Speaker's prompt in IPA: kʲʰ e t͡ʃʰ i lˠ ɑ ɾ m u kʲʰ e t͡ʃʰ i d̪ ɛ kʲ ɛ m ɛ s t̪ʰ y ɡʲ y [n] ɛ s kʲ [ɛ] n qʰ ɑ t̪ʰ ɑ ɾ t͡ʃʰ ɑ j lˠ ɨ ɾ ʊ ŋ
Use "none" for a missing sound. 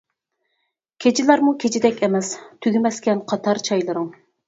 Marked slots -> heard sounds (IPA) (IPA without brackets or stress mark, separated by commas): m, ɛ